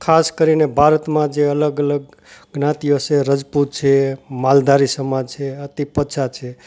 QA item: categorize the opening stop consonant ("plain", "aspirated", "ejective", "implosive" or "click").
aspirated